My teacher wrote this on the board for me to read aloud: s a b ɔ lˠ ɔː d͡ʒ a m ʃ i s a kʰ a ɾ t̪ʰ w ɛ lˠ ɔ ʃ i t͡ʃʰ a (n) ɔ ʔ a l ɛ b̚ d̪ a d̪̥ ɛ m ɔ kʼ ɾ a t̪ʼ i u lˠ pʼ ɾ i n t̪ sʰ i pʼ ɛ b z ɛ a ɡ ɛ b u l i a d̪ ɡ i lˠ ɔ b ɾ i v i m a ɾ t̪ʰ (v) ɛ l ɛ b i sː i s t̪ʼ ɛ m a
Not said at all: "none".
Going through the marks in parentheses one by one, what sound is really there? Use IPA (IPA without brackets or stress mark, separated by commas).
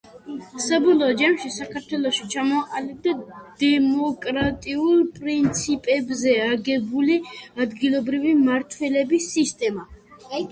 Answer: m, w